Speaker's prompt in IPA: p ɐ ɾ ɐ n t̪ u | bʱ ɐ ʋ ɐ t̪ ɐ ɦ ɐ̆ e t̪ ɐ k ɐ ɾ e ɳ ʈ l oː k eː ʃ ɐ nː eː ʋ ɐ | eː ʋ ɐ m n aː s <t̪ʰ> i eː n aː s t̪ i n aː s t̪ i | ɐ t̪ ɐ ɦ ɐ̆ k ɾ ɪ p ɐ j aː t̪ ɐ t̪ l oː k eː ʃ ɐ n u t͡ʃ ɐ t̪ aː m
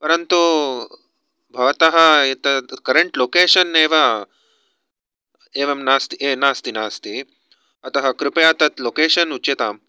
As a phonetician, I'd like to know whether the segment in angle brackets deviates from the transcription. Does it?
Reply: yes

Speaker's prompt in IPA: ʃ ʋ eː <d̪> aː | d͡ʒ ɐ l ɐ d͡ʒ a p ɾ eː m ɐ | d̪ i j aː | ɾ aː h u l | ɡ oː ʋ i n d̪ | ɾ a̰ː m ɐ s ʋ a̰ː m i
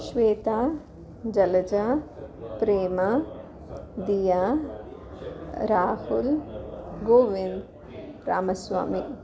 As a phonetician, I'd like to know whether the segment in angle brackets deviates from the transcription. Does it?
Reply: yes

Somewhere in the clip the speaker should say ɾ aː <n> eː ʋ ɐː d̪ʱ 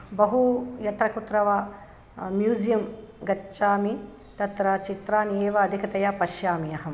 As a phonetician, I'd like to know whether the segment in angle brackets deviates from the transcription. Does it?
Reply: no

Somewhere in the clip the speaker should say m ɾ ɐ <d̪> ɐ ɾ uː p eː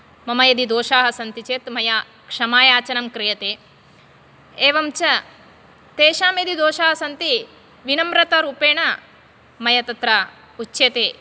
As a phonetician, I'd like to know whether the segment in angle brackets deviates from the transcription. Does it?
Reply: yes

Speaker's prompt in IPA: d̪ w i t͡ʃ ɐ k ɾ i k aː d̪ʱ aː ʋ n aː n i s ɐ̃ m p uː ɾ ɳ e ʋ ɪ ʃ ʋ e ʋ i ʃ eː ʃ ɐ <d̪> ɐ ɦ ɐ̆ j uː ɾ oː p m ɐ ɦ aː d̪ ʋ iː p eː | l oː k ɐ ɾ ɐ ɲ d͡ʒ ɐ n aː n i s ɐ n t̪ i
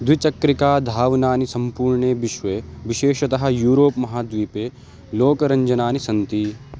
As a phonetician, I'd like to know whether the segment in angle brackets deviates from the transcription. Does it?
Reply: yes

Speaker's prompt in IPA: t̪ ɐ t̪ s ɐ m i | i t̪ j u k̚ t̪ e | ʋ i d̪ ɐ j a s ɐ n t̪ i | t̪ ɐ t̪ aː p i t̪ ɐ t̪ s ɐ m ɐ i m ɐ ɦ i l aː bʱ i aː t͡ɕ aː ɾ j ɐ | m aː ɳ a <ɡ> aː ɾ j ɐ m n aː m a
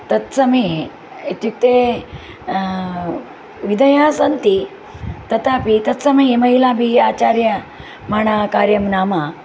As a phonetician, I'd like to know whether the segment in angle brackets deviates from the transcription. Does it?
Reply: yes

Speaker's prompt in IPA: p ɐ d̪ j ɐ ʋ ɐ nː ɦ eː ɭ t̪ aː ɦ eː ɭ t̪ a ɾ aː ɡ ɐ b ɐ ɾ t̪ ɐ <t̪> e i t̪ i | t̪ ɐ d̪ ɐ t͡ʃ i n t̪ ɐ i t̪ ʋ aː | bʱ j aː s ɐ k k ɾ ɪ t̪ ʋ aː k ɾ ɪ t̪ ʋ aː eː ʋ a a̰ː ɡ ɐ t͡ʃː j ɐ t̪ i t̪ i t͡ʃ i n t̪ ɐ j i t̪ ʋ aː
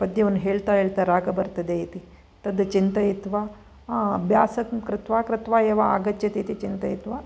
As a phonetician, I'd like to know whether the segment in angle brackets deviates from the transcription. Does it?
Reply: yes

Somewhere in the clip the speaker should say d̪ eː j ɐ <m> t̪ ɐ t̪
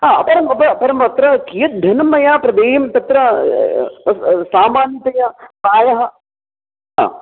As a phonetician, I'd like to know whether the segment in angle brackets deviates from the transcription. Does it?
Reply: no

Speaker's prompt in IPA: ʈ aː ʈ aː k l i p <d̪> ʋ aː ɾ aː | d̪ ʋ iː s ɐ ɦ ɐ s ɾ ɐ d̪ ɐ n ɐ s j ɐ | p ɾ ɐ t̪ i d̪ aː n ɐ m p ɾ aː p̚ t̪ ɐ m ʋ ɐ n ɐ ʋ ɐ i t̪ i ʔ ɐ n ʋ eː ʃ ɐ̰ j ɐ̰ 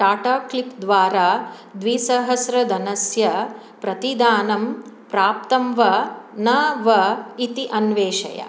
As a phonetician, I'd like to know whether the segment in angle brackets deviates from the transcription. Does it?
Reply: no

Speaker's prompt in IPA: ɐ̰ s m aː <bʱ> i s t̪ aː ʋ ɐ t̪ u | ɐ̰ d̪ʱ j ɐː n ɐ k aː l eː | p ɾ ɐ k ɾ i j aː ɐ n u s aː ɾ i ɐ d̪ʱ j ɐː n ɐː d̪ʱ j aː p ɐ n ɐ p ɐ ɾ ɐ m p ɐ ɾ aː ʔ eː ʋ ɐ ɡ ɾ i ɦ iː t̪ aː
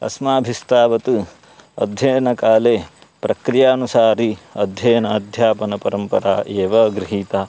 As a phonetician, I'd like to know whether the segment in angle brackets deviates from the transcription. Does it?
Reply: no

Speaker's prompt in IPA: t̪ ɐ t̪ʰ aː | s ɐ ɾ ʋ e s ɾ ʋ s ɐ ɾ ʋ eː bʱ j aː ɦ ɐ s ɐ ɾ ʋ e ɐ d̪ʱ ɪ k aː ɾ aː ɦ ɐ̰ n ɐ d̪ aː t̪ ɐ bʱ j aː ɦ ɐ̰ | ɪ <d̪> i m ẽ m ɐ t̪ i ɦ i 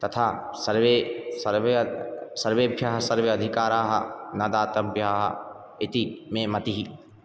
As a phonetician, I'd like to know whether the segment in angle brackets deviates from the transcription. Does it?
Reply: yes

